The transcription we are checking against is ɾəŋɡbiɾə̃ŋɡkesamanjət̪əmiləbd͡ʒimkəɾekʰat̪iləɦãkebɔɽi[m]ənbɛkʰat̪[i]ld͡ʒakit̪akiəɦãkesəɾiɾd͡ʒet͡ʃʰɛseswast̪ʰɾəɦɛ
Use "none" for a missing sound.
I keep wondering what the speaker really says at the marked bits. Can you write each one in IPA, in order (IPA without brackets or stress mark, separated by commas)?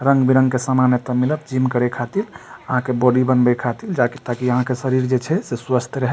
b, i